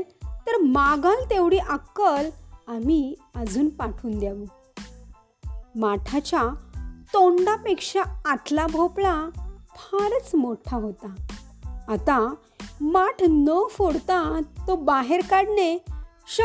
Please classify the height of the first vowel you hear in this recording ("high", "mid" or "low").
mid